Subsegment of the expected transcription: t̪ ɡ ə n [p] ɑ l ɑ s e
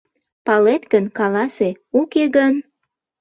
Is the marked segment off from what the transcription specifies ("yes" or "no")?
yes